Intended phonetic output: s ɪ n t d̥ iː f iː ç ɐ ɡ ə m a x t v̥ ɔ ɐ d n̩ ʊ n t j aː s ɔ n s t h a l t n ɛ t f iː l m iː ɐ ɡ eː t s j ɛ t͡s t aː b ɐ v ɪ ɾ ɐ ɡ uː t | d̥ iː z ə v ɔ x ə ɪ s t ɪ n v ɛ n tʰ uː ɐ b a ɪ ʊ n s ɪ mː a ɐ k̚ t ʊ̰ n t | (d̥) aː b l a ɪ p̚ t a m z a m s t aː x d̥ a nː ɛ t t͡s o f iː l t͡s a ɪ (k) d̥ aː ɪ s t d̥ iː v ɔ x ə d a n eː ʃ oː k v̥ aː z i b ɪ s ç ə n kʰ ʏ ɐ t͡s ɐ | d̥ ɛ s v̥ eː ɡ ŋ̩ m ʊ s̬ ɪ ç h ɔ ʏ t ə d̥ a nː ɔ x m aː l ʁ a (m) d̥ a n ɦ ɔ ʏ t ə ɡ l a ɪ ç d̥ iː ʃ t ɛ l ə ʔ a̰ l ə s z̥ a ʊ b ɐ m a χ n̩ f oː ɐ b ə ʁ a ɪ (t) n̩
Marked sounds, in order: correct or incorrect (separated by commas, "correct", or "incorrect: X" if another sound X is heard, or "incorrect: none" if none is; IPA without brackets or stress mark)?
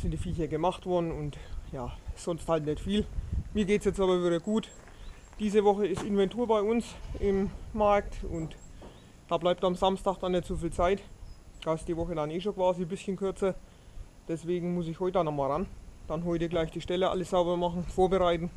correct, incorrect: t, incorrect: n, correct